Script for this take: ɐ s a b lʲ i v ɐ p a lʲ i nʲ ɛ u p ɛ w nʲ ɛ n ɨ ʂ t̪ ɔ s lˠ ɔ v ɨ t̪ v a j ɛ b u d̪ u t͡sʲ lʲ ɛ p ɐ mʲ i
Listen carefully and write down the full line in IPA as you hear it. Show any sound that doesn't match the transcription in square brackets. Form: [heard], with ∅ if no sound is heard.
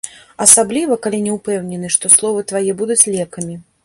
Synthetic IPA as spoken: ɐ s a b lʲ i v ɐ [k] a lʲ i nʲ ɛ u p ɛ w nʲ ɛ n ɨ ʂ t̪ ɔ s lˠ ɔ v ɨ t̪ v a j ɛ b u d̪ u t͡sʲ lʲ ɛ [k] ɐ mʲ i